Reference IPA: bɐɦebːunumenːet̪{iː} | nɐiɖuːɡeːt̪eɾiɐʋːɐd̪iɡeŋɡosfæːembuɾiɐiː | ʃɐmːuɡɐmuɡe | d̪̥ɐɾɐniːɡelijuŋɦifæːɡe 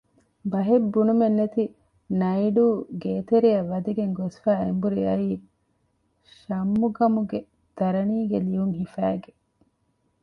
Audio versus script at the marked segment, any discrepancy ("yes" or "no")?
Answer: yes